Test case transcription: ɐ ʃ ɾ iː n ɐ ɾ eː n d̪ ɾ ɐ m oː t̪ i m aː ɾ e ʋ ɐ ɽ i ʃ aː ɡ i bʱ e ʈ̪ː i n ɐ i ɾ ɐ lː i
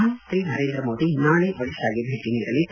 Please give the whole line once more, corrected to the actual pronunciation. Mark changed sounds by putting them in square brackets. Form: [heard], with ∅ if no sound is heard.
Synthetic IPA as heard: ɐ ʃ ɾ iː n ɐ ɾ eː n d̪ ɾ ɐ m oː [d̪] i [n] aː [ɭ] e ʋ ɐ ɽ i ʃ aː ɡ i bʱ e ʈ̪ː i n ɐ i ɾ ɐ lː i